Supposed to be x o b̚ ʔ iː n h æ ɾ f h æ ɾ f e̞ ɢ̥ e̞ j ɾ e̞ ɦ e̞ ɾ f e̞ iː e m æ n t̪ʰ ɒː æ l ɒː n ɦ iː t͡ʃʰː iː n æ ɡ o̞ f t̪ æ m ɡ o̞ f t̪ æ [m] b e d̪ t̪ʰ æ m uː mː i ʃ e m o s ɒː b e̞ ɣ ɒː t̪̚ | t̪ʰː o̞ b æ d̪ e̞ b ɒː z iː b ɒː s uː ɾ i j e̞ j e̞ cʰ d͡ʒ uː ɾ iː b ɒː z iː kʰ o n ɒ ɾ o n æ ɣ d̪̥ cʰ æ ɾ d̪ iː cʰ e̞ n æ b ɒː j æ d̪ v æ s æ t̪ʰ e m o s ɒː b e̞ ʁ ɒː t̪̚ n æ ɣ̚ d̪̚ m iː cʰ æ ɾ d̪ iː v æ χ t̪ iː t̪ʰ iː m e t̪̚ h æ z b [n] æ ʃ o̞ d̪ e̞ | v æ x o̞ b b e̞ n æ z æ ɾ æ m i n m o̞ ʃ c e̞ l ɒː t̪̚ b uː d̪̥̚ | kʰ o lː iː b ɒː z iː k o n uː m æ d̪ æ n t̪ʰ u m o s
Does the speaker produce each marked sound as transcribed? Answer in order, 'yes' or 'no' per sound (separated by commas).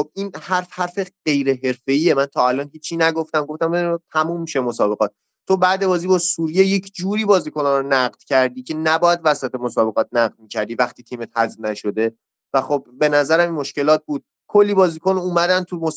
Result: yes, yes